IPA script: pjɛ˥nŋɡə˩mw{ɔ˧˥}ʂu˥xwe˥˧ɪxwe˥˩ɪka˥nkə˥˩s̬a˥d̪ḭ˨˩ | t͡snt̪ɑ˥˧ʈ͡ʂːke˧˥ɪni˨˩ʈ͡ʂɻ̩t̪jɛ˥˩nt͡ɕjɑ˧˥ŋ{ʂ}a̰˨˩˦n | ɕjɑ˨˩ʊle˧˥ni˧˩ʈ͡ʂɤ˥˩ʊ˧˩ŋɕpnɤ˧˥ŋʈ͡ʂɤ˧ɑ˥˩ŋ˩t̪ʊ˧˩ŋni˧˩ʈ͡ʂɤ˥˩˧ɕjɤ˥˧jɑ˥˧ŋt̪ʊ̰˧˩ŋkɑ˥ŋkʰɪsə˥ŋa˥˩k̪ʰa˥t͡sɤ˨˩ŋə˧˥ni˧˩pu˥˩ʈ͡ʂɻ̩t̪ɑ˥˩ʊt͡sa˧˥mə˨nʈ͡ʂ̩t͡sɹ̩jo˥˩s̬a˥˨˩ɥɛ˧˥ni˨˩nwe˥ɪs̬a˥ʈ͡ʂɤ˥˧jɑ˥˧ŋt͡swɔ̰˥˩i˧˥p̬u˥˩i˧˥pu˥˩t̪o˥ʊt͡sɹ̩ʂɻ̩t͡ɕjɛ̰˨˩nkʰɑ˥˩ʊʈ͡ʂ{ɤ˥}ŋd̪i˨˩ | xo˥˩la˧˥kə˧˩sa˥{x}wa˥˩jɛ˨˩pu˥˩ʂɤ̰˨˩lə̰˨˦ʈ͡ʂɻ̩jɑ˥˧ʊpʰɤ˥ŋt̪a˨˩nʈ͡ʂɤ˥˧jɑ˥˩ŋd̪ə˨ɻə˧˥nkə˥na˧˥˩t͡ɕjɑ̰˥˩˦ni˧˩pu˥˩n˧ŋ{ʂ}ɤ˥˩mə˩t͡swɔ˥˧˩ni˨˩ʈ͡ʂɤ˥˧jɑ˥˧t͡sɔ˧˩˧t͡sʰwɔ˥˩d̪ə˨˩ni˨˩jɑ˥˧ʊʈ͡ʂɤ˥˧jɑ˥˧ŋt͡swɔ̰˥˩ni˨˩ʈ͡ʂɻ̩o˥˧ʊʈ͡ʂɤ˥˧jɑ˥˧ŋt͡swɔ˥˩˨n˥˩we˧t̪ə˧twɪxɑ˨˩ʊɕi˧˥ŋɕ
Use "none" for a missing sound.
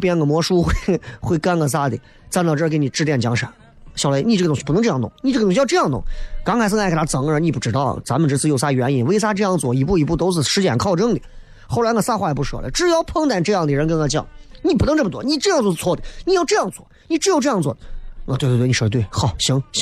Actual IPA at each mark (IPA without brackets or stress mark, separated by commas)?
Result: ɔ˧˥, ʂ, ɤ˥, x, ʈ͡ʂ